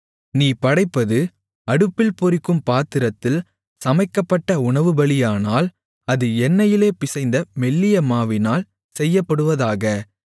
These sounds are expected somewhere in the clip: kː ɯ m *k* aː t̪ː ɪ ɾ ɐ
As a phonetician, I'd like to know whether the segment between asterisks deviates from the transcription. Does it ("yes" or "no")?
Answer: yes